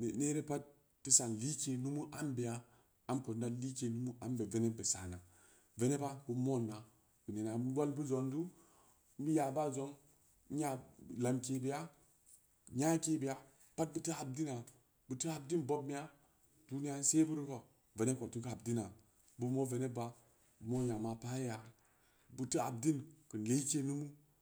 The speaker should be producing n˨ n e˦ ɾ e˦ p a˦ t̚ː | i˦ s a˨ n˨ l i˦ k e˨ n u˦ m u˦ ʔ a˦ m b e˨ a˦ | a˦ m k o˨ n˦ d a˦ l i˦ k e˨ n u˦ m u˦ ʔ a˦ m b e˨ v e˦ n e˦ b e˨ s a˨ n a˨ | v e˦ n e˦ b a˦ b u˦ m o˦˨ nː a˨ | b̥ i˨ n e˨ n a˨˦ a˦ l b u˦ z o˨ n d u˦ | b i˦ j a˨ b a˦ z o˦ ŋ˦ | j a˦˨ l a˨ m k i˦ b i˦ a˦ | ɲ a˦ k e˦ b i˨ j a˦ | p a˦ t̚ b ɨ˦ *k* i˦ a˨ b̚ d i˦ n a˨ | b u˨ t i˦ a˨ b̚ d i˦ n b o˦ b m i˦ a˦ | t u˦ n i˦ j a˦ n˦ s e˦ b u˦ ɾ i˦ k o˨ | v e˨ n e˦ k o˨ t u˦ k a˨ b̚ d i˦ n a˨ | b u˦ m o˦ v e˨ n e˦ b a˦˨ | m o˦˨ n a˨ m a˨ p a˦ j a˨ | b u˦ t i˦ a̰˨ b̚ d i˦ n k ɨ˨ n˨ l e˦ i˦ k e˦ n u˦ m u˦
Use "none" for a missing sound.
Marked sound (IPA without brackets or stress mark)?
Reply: t